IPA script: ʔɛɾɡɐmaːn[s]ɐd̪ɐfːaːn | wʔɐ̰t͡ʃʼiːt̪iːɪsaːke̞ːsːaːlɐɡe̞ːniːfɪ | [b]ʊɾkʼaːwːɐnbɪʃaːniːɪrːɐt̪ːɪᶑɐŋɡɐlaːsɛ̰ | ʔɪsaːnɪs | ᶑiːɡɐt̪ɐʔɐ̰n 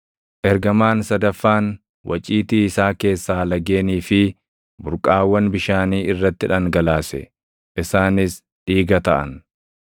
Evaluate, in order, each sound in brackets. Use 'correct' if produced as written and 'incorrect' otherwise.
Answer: correct, correct

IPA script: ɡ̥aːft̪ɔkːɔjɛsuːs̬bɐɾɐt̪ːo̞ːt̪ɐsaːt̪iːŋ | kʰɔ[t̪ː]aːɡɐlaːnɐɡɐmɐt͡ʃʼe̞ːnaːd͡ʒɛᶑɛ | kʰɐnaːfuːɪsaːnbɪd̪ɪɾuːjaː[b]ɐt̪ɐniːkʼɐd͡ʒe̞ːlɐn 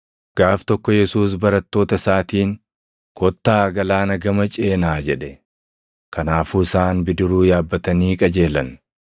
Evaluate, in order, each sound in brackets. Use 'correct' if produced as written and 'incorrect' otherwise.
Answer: correct, incorrect

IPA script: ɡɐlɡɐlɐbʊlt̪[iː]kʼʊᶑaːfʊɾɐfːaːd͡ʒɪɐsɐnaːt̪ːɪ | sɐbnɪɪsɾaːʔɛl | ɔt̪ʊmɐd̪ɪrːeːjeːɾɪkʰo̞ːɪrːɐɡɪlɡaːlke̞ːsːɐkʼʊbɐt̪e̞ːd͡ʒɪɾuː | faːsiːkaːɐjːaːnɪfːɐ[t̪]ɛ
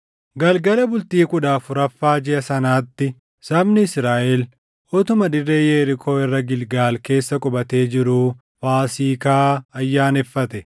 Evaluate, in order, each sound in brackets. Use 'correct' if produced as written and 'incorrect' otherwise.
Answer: correct, correct

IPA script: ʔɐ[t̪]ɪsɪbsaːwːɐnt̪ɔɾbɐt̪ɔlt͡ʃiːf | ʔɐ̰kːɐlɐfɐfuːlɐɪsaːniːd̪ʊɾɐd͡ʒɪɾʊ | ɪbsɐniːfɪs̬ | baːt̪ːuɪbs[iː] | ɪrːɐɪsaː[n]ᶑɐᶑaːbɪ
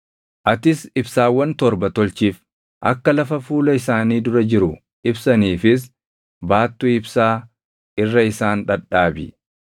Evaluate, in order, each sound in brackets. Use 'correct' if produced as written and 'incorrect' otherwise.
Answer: correct, incorrect, correct

